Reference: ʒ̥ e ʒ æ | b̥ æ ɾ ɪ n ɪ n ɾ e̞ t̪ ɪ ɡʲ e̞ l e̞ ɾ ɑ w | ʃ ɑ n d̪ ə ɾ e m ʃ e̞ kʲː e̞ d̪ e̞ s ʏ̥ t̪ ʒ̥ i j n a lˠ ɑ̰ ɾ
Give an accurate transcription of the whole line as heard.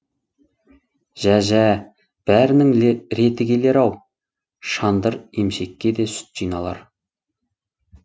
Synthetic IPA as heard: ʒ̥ æ ʒ æ | b̥ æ ɾ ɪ n ɪ ŋ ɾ e̞ t̪ ɪ ɡʲ e̞ l e̞ ɾ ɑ w | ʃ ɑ n d̪ ə ɾ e m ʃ e̞ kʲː e̞ d̪ e̞ s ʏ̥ t̪ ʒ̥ i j n ɑ lˠ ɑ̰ ɾ